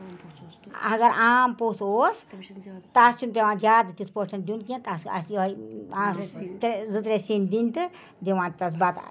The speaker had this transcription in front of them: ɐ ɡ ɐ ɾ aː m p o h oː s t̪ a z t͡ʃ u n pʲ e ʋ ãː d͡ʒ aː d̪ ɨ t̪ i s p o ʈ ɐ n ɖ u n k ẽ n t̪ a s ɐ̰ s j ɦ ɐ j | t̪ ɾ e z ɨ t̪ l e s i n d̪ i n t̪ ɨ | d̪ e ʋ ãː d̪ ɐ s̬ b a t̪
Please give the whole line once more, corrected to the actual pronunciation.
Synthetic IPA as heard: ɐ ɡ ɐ ɾ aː m p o s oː s t̪ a s t͡ʃ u n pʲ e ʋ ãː d͡ʒ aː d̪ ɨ t̪ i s p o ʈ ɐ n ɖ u n k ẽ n t̪ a s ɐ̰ s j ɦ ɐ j | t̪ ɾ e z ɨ t̪ ɾ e s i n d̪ i n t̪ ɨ | d̪ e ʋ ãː t̪ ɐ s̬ b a t̪